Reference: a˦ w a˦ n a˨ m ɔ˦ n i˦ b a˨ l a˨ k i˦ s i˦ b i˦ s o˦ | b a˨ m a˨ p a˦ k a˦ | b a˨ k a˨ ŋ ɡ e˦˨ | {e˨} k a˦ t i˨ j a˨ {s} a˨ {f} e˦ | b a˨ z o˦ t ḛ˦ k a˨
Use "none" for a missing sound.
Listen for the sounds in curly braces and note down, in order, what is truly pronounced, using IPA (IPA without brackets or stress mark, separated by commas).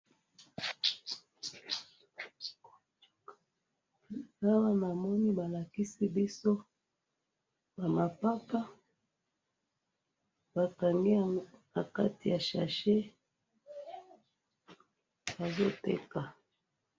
a˨, ʃ, ʃ